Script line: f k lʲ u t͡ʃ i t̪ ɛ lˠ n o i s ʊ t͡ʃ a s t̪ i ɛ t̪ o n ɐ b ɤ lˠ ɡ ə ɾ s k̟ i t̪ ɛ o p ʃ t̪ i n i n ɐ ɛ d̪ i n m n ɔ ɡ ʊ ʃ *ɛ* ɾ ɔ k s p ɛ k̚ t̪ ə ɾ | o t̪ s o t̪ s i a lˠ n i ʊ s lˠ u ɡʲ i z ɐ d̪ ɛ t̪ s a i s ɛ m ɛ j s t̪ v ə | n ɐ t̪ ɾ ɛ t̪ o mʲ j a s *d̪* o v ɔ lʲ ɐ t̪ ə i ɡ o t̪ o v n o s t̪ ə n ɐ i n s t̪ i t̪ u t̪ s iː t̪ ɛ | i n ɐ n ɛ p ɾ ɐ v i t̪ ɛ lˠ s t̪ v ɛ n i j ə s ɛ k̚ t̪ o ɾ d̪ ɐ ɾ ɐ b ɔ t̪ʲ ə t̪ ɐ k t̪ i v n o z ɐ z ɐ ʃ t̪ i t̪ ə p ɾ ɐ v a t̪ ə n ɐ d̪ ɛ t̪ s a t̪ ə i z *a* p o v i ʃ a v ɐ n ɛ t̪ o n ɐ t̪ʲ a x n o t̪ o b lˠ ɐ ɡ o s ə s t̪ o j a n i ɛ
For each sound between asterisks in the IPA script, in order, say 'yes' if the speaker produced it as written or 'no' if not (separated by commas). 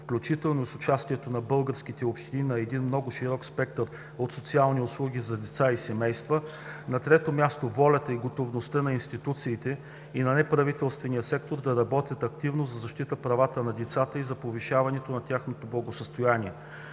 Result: no, no, no